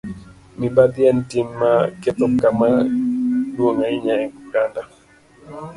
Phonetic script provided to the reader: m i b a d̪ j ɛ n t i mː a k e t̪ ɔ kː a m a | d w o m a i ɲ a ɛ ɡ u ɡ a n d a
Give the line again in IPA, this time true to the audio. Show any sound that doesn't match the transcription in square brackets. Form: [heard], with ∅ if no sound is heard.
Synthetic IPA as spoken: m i b a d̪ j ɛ n t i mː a k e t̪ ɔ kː a m a | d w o [ŋ] a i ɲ a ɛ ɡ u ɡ a n d a